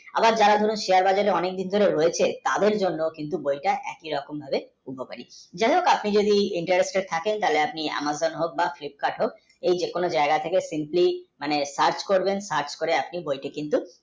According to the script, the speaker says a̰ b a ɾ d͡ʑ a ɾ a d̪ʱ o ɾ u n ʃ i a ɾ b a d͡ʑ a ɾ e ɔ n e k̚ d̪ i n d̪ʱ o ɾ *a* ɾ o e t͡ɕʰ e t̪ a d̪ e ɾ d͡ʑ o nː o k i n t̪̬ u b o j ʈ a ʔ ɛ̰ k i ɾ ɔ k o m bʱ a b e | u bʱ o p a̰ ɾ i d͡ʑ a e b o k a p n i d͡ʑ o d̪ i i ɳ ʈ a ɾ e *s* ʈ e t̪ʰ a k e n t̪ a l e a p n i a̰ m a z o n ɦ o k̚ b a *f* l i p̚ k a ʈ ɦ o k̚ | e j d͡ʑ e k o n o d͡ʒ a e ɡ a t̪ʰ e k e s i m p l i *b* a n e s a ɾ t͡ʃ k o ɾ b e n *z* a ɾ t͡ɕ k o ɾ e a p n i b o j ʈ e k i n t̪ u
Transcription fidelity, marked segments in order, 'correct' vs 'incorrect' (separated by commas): incorrect, correct, correct, incorrect, incorrect